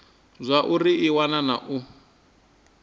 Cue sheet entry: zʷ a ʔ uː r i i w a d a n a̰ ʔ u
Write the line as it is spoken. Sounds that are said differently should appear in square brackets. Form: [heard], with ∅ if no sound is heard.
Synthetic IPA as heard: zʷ a ʔ [u] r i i w a [n] a n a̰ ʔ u